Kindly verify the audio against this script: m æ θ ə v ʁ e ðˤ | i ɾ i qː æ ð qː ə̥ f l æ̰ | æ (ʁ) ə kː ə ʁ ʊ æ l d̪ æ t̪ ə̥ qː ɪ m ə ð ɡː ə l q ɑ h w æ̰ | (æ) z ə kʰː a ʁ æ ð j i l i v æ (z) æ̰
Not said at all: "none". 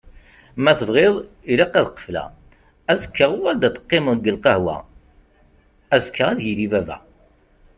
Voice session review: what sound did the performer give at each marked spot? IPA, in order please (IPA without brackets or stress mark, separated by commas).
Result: z, æ, v